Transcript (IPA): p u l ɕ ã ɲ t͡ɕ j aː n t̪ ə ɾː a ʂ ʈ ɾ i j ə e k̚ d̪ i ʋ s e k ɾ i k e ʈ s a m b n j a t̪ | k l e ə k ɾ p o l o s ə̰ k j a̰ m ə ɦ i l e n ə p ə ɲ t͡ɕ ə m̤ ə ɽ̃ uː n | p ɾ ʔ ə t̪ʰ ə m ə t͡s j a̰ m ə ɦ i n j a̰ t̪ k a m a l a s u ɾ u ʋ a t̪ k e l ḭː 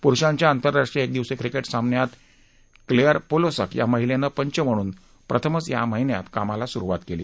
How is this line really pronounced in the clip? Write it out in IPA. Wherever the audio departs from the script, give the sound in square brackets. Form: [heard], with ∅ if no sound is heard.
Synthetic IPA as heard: p u [ɾ] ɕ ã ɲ t͡ɕ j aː n t̪ ə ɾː a ʂ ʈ ɾ i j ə e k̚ d̪ i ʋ s e k ɾ i k e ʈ s a m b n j a t̪ | k l e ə [∅] ɾ p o l o s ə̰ k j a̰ m ə ɦ i l e n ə p ə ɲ t͡ɕ ə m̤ ə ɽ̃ uː n | p ɾ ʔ ə t̪ʰ ə m ə t͡s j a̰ m ə ɦ i n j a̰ t̪ k a m a l a s u ɾ u ʋ a t̪ k e l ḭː